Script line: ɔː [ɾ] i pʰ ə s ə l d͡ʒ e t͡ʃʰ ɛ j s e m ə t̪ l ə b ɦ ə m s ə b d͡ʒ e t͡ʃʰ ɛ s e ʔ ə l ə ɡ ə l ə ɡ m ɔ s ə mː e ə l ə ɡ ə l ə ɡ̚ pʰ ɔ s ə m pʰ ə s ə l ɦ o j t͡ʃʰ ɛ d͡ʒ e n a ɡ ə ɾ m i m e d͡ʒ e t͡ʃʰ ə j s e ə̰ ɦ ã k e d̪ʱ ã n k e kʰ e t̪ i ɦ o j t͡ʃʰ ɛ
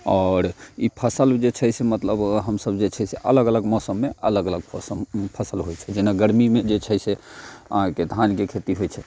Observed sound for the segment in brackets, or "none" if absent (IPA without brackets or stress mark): ɾ